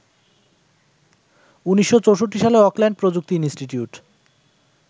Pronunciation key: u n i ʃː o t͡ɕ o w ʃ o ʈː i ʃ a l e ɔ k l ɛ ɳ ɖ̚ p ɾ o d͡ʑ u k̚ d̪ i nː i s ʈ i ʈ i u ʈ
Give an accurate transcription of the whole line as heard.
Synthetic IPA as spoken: u n i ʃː o t͡ɕ o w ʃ o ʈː i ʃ a l e ɔ k l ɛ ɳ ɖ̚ p ɾ o d͡ʑ u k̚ t̪ i n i s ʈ i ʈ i u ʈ

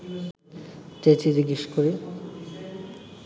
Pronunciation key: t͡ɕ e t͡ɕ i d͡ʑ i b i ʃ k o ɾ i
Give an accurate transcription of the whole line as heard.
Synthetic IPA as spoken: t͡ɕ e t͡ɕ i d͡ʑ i ɡ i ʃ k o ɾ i

